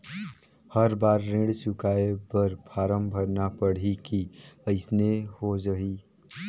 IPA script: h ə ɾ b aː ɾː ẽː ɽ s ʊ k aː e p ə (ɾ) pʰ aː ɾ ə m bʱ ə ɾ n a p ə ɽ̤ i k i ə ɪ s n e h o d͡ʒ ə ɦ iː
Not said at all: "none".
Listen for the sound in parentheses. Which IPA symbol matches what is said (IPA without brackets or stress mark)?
ɾ